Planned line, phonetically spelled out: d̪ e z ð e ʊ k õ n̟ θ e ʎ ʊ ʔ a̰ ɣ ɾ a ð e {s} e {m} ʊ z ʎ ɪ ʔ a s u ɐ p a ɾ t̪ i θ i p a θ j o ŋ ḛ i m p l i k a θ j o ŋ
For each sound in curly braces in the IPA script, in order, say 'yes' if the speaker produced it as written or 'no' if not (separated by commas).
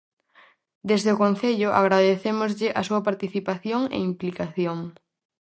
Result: no, yes